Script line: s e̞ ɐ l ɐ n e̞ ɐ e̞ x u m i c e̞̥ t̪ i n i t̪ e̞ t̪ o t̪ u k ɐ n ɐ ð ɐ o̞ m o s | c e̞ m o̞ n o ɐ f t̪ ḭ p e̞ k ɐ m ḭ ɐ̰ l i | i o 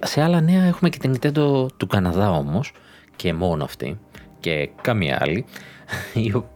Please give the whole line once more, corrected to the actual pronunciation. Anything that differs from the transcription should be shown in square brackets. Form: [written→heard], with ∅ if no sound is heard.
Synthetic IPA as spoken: s e̞ ɐ l ɐ n e̞ ɐ e̞ x u m [i→e] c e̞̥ t̪ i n i t̪ e̞ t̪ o t̪ u k ɐ n ɐ ð ɐ o̞ m o s | c e̞ m o̞ n o ɐ f t̪ ḭ [p→c] e̞ k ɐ m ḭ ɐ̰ l i | i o